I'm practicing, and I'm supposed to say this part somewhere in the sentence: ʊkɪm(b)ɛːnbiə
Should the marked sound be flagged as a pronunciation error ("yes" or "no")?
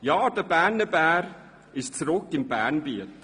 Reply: no